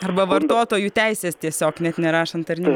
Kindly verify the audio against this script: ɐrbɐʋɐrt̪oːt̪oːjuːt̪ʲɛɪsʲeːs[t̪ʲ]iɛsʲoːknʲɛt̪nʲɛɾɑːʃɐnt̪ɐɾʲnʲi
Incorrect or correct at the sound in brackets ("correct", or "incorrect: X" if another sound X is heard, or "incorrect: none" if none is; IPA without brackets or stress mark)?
correct